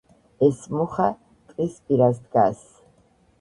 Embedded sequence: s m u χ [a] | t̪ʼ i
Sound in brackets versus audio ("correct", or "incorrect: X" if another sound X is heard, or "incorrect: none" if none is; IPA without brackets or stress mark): correct